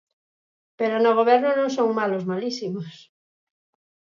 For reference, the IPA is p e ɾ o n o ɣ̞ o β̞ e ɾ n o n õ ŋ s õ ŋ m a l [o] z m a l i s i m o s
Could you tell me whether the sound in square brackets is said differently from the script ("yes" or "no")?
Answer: no